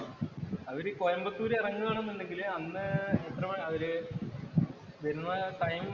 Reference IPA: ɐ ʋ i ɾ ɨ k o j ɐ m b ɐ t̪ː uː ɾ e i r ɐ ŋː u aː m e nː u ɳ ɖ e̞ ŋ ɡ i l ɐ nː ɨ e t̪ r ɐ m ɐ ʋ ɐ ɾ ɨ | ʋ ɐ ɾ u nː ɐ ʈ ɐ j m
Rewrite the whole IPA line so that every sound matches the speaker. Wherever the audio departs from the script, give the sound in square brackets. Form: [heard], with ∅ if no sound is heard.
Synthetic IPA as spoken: ɐ ʋ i ɾ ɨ k o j ɐ m b ɐ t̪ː uː ɾ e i r ɐ ŋː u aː [ɳ] e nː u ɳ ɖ e̞ ŋ ɡ i l ɐ nː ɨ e t̪ r ɐ m ɐ ʋ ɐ ɾ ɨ | ʋ ɐ ɾ u nː ɐ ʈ ɐ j m